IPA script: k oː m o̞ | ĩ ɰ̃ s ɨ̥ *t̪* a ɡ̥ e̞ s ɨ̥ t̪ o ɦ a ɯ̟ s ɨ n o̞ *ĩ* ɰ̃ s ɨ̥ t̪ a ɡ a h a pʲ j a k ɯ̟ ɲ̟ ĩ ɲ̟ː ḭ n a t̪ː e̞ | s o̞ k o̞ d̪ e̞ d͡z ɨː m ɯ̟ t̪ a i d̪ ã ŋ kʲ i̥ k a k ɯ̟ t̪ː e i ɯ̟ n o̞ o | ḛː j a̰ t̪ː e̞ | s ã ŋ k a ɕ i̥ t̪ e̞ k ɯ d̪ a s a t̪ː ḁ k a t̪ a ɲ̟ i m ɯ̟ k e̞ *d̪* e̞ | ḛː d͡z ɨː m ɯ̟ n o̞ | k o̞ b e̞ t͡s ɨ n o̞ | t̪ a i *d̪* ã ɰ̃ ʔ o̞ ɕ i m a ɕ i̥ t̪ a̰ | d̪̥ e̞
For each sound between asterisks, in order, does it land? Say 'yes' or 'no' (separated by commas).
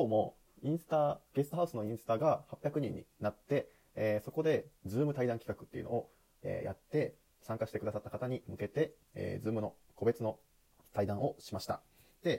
yes, yes, no, yes